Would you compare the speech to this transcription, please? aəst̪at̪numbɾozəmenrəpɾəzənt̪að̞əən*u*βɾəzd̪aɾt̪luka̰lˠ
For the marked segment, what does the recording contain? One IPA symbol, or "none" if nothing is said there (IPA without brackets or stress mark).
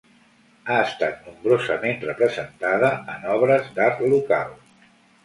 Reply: ɔ